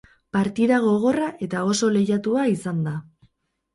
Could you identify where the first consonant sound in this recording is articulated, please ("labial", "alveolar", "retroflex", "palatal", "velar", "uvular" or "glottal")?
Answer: labial